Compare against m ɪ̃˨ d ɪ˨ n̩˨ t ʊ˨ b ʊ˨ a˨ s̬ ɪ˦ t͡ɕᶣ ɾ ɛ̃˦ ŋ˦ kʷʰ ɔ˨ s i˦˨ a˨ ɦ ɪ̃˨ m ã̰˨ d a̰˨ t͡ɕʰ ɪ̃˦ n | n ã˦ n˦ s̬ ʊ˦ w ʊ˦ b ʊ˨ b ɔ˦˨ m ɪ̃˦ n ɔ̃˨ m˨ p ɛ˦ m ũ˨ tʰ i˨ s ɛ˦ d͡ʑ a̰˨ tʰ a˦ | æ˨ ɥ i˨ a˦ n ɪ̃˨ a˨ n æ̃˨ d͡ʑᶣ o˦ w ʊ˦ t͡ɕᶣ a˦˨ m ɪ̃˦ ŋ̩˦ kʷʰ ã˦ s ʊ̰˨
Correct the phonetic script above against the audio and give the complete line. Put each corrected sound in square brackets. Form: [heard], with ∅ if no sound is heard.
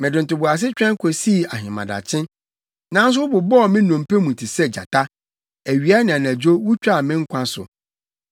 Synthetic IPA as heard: m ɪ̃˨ d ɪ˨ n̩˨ t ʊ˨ b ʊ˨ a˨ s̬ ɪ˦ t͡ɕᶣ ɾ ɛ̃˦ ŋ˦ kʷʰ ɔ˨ s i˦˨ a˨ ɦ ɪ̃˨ m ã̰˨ d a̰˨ t͡ɕʰ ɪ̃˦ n | n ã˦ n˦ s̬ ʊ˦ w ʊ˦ b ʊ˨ b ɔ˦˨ m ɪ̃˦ n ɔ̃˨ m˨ p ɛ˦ m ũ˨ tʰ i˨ s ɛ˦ d͡ʑ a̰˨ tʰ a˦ | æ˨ ɥ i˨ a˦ n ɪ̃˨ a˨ n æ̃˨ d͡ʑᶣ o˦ w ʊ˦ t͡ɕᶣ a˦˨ m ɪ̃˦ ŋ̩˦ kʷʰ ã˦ s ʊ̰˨